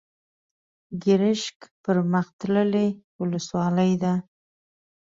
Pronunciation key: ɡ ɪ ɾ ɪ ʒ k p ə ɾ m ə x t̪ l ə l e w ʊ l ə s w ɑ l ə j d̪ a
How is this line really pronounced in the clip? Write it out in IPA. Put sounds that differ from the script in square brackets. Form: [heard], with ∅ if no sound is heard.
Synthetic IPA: ɡ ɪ ɾ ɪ [ʃ] k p ə ɾ m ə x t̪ l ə l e w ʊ l ə s w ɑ l ə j d̪ a